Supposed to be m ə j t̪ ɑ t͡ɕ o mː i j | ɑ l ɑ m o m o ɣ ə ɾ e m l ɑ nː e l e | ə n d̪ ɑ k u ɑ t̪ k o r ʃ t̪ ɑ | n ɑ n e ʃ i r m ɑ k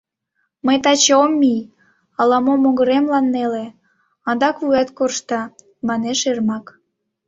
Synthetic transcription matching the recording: m ə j t̪ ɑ t͡ɕ o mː i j | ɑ l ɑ m o m o ɣ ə ɾ e m l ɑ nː e l e | ɑ n d̪ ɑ k u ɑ t̪ k o r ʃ t̪ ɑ | m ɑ n e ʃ e r m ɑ k